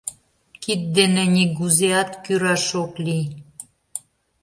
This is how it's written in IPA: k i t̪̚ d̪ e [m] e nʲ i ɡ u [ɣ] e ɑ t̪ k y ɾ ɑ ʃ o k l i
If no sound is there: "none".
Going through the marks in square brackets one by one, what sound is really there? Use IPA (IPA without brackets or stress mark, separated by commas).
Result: n, z